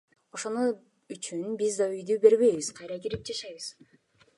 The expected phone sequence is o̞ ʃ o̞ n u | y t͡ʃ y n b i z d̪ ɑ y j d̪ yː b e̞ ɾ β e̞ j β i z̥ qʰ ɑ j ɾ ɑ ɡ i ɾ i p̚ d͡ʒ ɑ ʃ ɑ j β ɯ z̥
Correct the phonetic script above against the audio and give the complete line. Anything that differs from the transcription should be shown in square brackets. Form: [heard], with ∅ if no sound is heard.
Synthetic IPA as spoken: o̞ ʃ o̞ n u | y t͡ʃ y n b i z d̪ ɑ y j d̪ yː b e̞ ɾ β e̞ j β i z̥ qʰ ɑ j ɾ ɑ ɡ i ɾ i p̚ d͡ʒ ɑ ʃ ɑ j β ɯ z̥